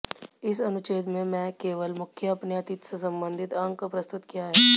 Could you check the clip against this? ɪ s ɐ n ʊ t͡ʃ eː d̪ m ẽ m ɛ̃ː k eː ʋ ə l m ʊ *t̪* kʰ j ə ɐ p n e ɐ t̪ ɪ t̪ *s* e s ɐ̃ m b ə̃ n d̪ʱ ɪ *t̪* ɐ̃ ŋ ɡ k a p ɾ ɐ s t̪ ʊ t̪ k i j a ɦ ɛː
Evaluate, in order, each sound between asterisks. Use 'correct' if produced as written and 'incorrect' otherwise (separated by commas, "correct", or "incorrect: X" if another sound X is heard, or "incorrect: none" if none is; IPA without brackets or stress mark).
incorrect: none, correct, correct